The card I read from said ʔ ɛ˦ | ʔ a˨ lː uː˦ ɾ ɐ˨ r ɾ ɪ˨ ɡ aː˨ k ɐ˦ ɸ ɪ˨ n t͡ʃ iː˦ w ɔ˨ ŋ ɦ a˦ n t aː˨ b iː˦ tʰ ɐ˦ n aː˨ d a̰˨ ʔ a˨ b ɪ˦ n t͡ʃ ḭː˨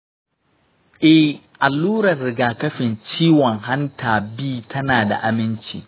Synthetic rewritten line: ʔ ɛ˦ | ʔ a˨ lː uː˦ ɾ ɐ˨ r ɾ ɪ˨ ɡ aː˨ k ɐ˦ ɸ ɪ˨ n t͡ʃ iː˦ w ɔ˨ ŋ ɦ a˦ n t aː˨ b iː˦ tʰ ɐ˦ n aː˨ d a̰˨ ʔ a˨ m ɪ˦ n t͡ʃ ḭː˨